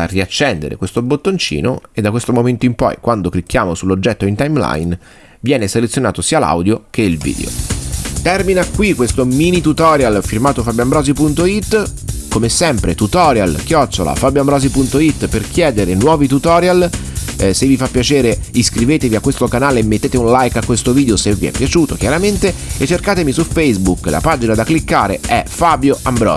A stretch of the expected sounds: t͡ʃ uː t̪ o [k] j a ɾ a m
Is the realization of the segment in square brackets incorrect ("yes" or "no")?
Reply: no